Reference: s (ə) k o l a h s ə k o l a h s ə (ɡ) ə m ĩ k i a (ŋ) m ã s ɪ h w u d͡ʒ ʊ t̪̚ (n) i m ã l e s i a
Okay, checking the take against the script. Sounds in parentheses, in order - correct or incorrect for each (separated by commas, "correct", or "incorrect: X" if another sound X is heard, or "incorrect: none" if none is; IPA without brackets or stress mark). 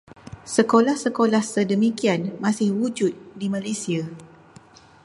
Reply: correct, incorrect: d, incorrect: n, incorrect: d